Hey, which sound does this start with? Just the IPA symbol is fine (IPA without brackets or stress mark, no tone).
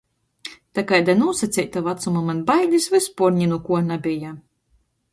t̪